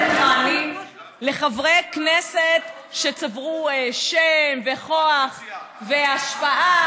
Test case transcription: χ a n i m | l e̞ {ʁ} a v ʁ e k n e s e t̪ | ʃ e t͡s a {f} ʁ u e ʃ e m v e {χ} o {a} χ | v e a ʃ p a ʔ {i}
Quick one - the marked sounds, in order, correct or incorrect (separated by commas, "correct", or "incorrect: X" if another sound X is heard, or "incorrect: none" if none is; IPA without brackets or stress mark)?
incorrect: χ, incorrect: v, correct, correct, incorrect: a